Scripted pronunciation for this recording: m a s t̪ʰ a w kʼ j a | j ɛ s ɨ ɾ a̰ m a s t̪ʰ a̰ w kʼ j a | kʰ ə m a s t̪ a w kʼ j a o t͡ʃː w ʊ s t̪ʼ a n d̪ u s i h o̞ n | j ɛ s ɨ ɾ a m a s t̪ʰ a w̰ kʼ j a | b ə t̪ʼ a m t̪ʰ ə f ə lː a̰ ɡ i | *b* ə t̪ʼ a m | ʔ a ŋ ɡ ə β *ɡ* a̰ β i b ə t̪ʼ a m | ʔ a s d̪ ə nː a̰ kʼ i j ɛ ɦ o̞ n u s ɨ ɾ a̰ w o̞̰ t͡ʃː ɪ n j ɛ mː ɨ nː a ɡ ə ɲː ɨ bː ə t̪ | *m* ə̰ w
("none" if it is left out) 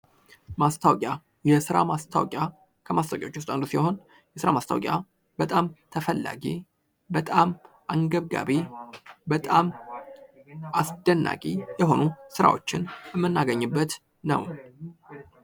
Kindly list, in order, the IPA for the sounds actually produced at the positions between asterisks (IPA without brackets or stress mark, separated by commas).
b, ɡ, n